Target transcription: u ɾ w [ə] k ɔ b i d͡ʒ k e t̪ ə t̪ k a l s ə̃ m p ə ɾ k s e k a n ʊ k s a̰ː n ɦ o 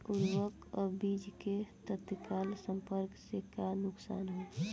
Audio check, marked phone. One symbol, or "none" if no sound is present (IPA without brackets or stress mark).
ə